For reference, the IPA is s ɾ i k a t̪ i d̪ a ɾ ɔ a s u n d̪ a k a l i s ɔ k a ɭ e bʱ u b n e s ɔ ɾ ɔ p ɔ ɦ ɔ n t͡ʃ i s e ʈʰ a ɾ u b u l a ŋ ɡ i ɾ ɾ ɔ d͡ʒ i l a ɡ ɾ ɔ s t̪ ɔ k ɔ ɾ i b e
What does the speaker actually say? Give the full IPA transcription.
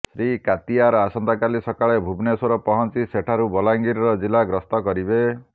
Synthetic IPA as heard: s ɾ i k a t̪ i a ɾ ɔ a s ɔ n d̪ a k a l i s ɔ k a ɭ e bʱ u b n e s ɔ ɾ ɔ p ɔ ɦ ɔ n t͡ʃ i s e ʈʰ a ɾ u b ɔ l a ŋ ɡ i ɾ ɾ ɔ d͡ʒ i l a ɡ ɾ ɔ s t̪ ɔ k ɔ ɾ i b e